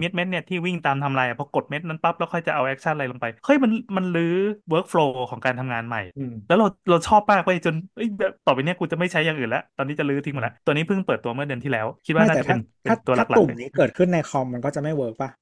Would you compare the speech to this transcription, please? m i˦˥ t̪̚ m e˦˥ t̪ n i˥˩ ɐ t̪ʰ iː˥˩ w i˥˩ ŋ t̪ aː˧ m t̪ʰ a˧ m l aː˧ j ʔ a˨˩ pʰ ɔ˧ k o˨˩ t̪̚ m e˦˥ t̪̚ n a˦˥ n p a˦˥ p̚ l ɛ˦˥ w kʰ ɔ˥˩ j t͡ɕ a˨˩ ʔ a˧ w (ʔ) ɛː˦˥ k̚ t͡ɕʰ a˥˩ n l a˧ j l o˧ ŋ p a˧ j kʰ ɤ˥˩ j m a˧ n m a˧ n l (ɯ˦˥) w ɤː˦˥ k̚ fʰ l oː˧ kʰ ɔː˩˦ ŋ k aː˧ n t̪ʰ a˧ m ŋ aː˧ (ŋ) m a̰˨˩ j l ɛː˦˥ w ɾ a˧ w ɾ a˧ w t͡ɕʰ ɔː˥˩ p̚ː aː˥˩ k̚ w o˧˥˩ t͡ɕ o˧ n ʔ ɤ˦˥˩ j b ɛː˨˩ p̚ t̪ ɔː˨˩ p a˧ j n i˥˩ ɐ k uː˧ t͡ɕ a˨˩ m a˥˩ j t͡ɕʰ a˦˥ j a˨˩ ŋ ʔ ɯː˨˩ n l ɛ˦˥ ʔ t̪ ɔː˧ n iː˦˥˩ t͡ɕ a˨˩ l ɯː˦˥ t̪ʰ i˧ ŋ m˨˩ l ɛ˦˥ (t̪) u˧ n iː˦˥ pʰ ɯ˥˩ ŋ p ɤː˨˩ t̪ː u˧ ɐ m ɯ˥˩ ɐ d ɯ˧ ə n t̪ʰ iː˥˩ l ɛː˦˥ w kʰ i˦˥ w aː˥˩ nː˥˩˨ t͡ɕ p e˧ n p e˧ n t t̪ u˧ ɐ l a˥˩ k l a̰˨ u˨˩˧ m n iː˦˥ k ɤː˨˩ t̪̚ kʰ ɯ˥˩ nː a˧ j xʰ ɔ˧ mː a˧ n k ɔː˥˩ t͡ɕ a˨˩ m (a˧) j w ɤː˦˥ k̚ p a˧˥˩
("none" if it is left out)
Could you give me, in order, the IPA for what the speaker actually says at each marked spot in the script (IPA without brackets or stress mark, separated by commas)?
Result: ʔ, ɯː˦˥, n, t̪, a˥˩